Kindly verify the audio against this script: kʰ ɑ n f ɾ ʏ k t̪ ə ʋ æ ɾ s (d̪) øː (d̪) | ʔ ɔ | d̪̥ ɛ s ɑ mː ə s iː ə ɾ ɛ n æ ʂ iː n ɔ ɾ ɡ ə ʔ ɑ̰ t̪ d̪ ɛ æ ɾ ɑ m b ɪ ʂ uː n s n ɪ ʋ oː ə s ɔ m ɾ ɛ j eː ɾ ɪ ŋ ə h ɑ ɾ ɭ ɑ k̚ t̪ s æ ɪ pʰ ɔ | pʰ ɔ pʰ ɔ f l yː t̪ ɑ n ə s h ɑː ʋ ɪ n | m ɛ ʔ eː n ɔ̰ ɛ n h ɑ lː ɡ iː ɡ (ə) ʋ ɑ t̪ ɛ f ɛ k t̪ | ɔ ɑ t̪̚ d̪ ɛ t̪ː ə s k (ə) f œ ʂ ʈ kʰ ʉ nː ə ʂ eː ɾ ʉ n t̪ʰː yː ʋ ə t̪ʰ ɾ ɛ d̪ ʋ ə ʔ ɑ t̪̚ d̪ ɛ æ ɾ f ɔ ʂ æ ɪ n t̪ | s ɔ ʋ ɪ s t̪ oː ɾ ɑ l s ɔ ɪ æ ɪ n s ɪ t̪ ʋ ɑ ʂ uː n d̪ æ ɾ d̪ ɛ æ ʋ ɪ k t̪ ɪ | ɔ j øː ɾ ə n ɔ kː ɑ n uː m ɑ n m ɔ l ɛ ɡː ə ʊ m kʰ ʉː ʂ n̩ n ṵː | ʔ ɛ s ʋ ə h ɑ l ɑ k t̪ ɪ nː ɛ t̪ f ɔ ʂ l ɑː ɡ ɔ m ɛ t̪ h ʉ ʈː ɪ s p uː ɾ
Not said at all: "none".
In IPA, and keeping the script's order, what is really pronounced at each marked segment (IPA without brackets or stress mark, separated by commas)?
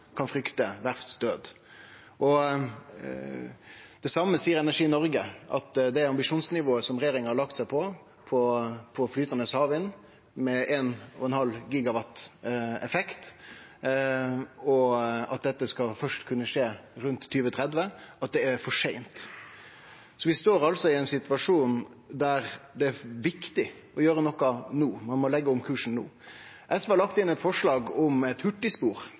d̪, d̪, ɑ, ɑ